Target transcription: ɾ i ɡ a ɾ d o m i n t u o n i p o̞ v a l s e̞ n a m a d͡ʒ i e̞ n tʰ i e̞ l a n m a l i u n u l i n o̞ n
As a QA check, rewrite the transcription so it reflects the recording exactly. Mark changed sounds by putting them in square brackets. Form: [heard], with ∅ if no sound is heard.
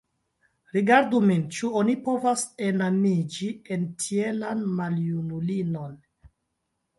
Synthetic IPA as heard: ɾ i ɡ a ɾ d [u] m i n [t͡ʃ] u o n i p o̞ v a [∅] s e̞ n a m [i] d͡ʒ i e̞ n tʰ i e̞ l a n m a l [j] u n u l i n o̞ n